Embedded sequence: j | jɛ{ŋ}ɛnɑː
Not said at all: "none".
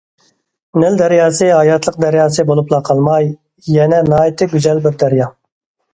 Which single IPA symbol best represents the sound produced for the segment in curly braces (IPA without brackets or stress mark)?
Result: n